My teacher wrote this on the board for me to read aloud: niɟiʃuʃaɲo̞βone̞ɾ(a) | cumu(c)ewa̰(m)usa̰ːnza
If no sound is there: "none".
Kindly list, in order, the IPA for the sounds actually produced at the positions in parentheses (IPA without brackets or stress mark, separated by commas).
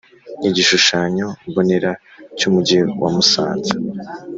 a, ɟ, m